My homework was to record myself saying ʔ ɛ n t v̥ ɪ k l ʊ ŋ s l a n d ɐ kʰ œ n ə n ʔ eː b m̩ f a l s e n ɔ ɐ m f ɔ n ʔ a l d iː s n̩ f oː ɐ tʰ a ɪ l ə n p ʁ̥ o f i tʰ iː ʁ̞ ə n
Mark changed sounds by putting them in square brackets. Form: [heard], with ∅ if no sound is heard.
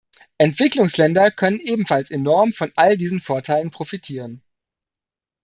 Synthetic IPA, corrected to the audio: ʔ ɛ n t v̥ ɪ k l ʊ ŋ s l [ɛ] n d ɐ kʰ œ n ə n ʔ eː b m̩ f a l s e n ɔ ɐ m f ɔ n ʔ a l d iː [z] n̩ f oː ɐ tʰ a ɪ l ə n p ʁ̥ o f i tʰ iː ʁ̞ ə n